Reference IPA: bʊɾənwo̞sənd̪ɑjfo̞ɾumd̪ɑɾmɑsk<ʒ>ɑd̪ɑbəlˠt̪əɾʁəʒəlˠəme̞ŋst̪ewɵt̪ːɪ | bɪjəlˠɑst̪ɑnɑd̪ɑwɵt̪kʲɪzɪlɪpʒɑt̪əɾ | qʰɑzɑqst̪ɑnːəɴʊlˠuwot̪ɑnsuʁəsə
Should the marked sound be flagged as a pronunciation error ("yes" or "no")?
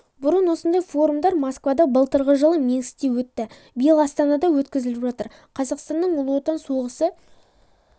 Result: yes